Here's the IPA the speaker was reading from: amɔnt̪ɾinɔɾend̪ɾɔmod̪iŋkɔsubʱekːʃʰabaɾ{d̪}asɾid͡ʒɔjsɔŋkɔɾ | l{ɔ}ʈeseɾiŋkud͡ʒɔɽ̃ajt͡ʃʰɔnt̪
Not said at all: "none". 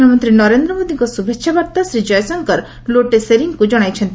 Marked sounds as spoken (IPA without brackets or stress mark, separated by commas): t̪, o